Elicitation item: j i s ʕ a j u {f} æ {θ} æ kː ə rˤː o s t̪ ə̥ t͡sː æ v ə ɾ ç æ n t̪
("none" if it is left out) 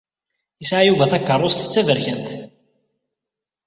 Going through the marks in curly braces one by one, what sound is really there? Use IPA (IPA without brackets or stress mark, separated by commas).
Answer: v, θ